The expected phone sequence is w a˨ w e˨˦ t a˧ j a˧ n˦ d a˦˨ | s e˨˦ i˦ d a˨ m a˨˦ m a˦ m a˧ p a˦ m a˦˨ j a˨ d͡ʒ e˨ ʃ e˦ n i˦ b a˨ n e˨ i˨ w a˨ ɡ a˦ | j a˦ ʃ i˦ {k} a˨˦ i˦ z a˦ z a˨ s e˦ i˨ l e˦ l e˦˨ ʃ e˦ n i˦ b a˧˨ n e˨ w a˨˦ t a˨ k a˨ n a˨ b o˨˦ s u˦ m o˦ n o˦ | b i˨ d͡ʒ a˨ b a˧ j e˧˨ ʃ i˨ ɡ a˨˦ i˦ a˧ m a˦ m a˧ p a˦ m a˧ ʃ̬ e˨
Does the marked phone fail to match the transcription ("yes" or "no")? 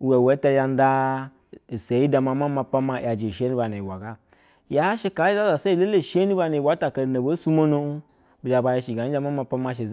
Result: no